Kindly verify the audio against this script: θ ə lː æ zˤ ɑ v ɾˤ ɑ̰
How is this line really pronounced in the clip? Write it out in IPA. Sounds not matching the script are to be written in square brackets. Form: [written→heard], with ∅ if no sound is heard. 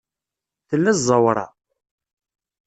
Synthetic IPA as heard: θ ə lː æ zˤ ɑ [v→w] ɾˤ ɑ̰